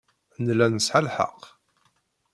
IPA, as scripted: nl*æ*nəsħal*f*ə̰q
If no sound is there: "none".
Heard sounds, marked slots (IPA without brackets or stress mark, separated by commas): æ, ħ